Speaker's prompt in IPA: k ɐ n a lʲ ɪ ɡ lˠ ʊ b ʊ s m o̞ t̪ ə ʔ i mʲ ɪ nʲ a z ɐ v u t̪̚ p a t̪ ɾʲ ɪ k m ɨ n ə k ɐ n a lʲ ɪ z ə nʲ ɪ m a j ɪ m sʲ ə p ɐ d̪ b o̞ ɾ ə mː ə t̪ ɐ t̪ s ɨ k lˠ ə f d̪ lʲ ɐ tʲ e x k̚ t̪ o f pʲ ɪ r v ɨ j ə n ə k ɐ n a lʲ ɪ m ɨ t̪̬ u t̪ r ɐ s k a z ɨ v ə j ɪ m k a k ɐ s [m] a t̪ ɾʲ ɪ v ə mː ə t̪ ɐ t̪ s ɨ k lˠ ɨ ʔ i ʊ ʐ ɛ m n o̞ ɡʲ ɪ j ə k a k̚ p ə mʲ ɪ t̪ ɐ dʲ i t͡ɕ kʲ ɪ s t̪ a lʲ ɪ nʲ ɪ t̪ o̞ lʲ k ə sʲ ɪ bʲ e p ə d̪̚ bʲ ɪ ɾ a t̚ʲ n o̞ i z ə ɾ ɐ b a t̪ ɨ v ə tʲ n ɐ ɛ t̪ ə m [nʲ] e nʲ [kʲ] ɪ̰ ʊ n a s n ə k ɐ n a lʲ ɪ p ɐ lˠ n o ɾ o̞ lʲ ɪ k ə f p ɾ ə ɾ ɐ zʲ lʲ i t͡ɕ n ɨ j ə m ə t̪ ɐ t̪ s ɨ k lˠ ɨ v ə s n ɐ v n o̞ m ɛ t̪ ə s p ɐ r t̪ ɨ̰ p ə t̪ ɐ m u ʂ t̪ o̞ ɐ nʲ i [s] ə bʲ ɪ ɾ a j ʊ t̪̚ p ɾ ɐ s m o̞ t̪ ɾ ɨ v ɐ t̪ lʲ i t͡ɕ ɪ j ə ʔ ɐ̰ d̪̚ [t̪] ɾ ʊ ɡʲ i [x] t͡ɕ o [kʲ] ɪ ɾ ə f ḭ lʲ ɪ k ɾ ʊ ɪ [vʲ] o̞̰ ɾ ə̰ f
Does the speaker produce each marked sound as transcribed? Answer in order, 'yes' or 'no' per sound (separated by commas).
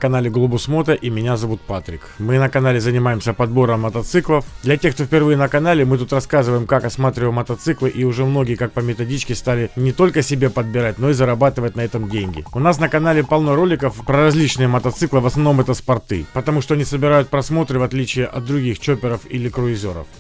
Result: yes, no, no, yes, no, yes, no, no